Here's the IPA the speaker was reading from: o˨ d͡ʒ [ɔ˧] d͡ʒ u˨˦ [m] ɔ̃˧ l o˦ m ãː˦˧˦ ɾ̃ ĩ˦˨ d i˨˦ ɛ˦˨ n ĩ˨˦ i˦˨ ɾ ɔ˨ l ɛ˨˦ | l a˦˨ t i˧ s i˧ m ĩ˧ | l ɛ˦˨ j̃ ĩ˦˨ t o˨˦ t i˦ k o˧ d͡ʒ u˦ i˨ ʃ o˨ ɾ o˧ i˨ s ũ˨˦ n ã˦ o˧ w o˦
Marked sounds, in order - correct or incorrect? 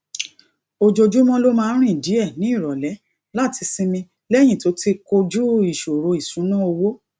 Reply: incorrect: o˧, correct

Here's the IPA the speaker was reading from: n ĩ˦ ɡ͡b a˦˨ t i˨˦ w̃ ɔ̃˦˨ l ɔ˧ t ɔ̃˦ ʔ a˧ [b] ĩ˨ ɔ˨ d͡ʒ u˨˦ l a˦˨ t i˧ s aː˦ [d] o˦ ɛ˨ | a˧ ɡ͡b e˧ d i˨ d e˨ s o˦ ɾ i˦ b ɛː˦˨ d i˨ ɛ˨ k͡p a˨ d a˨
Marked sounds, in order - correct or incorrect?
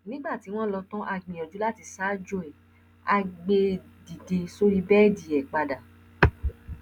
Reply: incorrect: ɡ͡b, incorrect: d͡ʒ

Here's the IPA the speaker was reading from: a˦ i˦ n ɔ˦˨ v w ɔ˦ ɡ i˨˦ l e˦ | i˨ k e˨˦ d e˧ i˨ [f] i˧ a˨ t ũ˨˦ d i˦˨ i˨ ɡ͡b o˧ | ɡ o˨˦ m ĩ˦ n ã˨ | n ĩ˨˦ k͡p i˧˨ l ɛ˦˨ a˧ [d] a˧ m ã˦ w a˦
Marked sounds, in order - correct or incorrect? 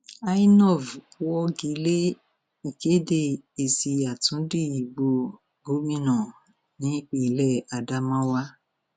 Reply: incorrect: s, correct

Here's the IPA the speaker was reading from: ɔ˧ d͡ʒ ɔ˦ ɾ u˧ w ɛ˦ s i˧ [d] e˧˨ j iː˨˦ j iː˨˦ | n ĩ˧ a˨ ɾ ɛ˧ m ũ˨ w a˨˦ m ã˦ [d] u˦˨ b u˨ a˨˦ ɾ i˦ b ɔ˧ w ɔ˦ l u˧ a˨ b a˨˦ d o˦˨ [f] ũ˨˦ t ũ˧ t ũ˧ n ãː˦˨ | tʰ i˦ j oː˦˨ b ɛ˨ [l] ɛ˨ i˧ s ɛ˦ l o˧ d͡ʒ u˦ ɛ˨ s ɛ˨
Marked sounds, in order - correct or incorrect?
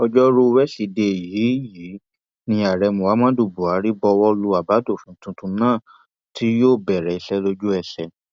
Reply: correct, correct, correct, incorrect: ɾ

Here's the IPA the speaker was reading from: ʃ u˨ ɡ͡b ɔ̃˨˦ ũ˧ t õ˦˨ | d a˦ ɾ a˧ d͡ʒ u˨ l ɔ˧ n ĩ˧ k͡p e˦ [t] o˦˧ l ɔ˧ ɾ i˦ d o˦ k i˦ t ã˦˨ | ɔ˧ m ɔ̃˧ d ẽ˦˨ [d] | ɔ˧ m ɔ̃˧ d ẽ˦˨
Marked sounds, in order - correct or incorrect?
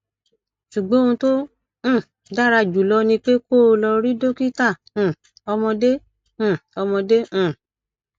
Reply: incorrect: k, incorrect: none

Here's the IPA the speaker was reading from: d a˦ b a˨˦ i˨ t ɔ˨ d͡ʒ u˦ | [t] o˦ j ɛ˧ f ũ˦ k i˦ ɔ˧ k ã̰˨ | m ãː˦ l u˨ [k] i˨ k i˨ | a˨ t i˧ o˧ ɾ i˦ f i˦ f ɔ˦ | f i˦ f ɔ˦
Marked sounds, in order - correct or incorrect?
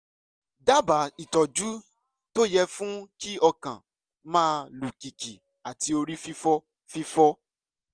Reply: correct, correct

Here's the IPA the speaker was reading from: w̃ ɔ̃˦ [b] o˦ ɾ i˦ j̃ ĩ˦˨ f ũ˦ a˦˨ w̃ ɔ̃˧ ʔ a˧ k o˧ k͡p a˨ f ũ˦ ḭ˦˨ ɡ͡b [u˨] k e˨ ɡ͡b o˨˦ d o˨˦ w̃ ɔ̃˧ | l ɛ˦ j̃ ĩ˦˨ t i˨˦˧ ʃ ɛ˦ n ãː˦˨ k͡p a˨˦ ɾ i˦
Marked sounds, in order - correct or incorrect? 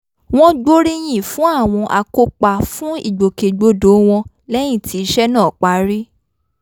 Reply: incorrect: ɡ͡b, incorrect: o˨

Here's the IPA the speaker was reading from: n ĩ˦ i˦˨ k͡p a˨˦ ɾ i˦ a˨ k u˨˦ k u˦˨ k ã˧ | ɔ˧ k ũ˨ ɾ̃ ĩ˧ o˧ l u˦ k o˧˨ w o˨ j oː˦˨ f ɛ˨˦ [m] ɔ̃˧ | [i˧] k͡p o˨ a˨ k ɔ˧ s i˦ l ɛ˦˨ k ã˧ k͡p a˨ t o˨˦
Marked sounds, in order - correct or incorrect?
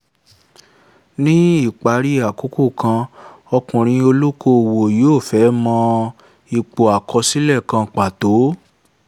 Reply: correct, correct

